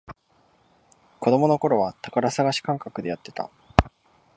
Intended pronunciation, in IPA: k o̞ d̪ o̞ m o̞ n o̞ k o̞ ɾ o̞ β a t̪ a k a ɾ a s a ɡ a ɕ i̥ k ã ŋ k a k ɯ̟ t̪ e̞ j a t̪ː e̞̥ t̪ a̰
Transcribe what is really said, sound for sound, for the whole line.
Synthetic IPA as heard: k o̞ d̪ o̞ m o̞ n o̞ k o̞ ɾ o̞ β a t̪ a k a ɾ a s a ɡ a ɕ i̥ k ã ŋ k a k ɯ̟ d̪ e̞ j a t̪ː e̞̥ t̪ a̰